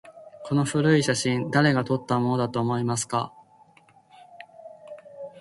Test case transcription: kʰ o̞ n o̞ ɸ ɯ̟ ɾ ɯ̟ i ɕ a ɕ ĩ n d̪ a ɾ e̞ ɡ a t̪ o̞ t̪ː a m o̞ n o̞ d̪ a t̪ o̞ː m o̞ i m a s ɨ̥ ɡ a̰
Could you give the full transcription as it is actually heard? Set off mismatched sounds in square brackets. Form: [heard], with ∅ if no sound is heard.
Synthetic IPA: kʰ o̞ n o̞ ɸ ɯ̟ ɾ ɯ̟ i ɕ a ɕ ĩ n d̪ a ɾ e̞ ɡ a t̪ o̞ t̪ː a m o̞ n o̞ d̪ a t̪ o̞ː m o̞ i m a s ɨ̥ [k] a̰